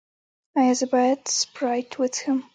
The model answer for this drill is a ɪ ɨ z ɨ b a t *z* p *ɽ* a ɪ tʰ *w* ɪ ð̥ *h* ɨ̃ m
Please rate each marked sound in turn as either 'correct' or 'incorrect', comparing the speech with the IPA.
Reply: incorrect, incorrect, correct, correct

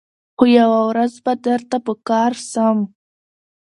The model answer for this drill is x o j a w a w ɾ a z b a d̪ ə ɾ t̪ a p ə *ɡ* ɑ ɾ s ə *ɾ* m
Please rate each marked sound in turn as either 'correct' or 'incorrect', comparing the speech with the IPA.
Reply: incorrect, incorrect

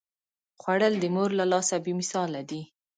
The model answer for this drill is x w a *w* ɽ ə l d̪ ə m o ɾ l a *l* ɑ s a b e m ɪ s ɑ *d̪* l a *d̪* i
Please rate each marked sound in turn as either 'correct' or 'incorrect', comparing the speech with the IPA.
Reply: incorrect, correct, incorrect, correct

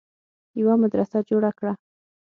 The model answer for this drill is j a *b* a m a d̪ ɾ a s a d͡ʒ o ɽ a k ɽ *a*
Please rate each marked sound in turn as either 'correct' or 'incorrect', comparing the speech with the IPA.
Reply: incorrect, correct

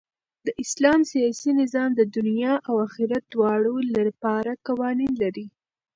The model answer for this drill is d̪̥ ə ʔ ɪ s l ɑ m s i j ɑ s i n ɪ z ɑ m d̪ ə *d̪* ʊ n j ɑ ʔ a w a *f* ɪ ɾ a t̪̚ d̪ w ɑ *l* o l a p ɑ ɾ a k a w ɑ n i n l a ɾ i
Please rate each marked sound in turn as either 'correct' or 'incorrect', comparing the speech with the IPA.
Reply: correct, incorrect, incorrect

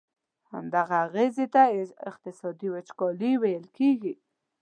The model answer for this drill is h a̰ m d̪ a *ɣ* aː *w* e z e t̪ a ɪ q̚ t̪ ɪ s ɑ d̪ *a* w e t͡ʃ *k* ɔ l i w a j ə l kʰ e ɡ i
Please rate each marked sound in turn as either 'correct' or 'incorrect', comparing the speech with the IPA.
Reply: correct, incorrect, incorrect, correct

